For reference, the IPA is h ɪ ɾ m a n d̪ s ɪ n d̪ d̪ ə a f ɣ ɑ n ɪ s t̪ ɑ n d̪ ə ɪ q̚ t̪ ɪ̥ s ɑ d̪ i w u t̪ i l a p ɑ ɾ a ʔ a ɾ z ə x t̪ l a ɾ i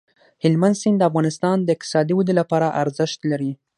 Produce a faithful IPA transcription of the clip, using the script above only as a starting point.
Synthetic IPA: h ɪ l m a n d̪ s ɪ n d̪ d̪ ə a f ɣ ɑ n ɪ s t̪ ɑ n d̪ ə ɪ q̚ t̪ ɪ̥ s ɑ d̪ i w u d̪ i l a p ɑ ɾ a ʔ a ɾ z ə ʃ t̪ l a ɾ i